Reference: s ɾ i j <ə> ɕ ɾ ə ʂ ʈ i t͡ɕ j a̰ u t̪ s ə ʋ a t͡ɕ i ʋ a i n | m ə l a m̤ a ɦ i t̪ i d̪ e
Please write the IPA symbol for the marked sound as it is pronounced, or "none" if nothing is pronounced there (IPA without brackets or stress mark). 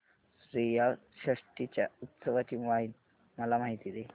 a